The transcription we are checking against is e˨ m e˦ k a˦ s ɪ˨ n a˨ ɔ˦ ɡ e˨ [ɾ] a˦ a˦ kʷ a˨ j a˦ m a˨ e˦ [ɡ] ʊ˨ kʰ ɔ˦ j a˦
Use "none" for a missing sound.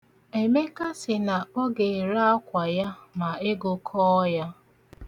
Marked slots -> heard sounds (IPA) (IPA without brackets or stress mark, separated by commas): ɾ, ɡ